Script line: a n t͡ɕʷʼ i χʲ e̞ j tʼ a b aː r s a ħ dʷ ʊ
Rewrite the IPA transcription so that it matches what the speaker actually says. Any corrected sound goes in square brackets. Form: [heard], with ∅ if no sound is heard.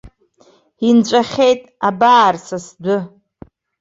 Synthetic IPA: [i] n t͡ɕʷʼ [a] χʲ e̞ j tʼ a b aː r s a [s] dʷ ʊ